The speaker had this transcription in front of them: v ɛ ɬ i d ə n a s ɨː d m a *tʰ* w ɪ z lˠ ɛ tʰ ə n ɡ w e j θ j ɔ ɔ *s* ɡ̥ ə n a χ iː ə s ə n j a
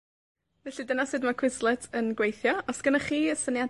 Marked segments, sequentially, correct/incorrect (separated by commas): incorrect, correct